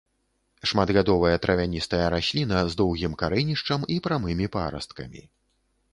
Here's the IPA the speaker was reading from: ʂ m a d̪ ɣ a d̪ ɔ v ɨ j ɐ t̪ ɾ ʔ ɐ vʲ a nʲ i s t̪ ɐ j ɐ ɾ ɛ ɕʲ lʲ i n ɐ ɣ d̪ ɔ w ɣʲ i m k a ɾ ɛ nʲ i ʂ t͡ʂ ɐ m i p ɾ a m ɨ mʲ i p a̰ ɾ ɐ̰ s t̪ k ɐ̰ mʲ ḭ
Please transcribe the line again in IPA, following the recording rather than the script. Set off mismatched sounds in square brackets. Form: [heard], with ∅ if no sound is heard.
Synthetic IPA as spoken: ʂ m a d̪ ɣ a d̪ ɔ v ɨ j ɐ t̪ ɾ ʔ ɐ vʲ a nʲ i s t̪ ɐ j ɐ ɾ [a] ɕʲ lʲ i n ɐ [z] d̪ ɔ w ɣʲ i m k a ɾ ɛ nʲ i ʂ t͡ʂ ɐ m i p ɾ a m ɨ mʲ i p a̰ ɾ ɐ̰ s t̪ k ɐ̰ mʲ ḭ